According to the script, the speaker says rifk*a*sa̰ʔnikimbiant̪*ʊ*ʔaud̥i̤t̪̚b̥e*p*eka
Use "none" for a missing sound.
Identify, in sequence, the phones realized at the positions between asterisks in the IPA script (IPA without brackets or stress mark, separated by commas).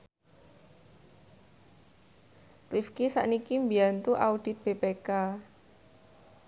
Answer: i, u, p